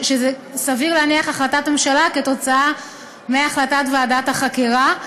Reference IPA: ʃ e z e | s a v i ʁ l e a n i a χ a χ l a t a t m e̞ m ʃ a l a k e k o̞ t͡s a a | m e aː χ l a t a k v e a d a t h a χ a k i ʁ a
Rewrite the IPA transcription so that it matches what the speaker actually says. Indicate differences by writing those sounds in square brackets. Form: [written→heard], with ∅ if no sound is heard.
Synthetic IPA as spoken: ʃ e z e | s a v i ʁ l e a n i a χ a χ l a t a t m e̞ m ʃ a l a k e [k→t] o̞ t͡s a a | m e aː χ l a t a [k→t] v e a d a t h a χ a k i ʁ a

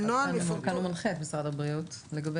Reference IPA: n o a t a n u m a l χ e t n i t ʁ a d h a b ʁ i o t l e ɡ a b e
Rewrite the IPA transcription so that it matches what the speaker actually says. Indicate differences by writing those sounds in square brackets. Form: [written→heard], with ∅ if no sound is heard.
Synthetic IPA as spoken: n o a [t→k] a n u m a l χ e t [n→m] i [t→s] ʁ a d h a b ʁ i [o→u] t l e ɡ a b e

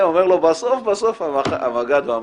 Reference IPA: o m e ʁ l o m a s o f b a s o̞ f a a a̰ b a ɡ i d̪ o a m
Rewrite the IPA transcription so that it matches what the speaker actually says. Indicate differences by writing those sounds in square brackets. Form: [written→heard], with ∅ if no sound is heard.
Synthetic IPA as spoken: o m e ʁ l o [m→b] a s o f b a s o̞ f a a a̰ [b→m] a ɡ [i→a] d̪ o a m

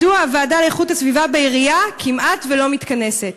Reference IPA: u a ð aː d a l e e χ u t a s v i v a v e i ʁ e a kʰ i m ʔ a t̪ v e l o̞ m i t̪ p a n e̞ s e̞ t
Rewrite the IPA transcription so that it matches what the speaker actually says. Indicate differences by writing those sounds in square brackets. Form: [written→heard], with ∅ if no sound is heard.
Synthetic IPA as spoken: u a [ð→v] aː d a l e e χ u t a s v i v a [v→b] e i ʁ [e→i] a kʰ i m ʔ a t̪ v e l o̞ m i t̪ [p→k] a n e̞ s e̞ t

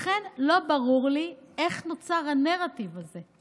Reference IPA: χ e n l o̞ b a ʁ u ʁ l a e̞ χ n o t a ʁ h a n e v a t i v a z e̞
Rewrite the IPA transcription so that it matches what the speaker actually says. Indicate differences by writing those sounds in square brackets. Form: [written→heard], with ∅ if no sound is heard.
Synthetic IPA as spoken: χ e n l o̞ b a ʁ u ʁ l [a→i] e̞ χ n o [t→t͡s] a ʁ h a n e [v→ʁ] a t i v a z e̞

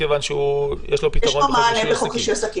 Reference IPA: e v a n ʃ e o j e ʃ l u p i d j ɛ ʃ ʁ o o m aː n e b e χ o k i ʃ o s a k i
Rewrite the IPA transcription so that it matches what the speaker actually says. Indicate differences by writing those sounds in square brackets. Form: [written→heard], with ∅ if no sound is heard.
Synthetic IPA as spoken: e v a n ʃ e [o→u] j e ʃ l [u→o] p i [d→t] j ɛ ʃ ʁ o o m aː n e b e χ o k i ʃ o s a k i

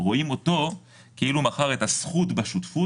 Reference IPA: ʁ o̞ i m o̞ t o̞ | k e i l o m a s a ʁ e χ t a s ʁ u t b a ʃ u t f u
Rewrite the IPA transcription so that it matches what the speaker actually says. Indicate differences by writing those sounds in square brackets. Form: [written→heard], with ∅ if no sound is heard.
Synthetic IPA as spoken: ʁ o̞ i m o̞ t o̞ | k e i l [o→u] m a [s→χ] a ʁ e [χ→∅] t a s [ʁ→χ] u t b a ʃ u t f u

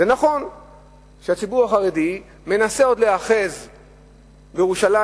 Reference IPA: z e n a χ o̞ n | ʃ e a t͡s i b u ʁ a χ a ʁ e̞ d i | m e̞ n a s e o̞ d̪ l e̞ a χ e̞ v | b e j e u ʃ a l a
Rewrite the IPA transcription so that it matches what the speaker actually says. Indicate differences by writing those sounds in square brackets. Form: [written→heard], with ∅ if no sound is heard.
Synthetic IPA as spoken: z e n a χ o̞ n | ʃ e a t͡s i b u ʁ a χ a ʁ e̞ d i | m e̞ n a s e o̞ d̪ l e̞ a χ e̞ [v→z] | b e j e u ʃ a l a

